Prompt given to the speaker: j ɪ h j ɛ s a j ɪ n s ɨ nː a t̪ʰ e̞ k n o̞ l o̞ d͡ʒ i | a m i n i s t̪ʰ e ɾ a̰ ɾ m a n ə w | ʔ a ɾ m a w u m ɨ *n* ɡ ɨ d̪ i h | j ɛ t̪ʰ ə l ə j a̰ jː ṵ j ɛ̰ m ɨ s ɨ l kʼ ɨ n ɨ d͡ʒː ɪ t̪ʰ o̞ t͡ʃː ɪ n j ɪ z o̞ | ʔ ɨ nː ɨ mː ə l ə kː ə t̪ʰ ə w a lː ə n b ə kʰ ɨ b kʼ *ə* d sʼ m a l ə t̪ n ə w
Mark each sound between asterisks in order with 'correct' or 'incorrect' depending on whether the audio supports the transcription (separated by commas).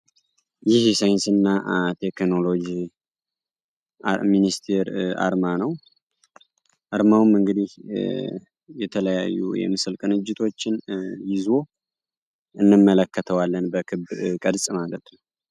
incorrect, correct